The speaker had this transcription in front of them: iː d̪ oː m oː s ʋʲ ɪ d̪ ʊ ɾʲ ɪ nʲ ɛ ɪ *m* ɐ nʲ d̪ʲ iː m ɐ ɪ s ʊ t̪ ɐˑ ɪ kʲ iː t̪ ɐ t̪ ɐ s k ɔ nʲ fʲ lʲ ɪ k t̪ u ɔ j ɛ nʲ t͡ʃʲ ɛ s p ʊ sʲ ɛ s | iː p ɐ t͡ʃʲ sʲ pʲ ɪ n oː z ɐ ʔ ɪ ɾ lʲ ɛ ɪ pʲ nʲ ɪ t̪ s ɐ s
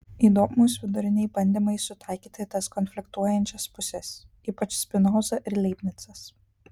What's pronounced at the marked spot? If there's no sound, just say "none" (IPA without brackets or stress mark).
b